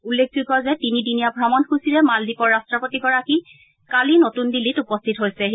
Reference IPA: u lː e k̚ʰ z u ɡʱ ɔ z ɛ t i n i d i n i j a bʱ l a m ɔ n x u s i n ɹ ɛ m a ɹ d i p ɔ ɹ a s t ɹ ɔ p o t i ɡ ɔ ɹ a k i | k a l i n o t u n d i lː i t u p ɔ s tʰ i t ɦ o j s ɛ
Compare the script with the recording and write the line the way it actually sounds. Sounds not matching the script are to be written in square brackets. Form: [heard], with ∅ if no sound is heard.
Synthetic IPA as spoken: u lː e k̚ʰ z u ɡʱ ɔ z ɛ t i n i d i n i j a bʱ [ɹ] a m ɔ n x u s i [∅] ɹ ɛ m a [l] d i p ɔ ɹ a s t ɹ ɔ p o t i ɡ ɔ ɹ a k i | k a l i n o t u n d i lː i t u p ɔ s tʰ i t ɦ o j s ɛ